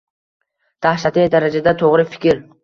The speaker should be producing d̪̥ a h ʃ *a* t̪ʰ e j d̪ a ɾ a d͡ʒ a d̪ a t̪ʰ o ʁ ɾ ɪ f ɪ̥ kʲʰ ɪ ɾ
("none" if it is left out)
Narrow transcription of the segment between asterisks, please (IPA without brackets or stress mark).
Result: a